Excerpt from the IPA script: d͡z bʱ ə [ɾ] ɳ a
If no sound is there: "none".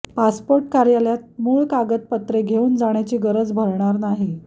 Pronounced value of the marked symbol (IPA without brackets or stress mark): ɾ